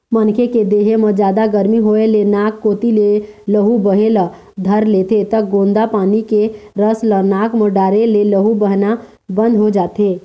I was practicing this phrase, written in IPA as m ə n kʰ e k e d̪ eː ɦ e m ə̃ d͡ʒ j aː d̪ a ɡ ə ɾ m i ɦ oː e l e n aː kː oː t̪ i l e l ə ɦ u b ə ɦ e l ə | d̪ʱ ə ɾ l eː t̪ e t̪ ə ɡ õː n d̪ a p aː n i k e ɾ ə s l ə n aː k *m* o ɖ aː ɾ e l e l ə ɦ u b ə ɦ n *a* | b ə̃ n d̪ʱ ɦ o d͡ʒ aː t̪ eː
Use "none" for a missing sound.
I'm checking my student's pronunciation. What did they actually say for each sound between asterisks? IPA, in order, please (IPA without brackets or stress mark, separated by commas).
m, a